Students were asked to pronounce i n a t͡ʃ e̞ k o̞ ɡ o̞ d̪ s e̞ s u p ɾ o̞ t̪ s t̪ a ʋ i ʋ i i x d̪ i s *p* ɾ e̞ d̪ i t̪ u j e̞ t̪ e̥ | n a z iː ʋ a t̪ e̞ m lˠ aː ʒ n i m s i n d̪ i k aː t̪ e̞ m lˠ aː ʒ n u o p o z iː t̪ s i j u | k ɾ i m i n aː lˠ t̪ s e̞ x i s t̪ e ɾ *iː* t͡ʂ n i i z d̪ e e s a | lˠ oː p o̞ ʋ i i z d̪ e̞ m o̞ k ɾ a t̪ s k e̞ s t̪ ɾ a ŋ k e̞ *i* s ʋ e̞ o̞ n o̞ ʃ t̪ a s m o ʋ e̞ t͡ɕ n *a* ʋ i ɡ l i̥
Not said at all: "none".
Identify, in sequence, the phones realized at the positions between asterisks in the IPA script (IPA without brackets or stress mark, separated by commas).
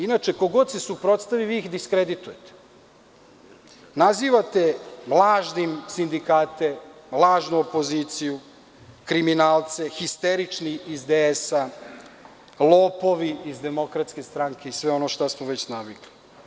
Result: k, i, i, a